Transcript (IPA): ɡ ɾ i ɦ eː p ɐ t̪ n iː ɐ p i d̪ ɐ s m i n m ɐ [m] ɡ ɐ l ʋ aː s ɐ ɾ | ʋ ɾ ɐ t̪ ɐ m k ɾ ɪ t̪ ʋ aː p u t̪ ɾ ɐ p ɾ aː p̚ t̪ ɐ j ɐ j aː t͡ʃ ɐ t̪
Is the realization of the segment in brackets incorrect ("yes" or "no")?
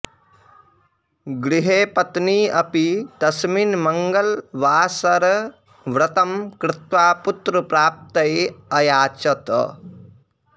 yes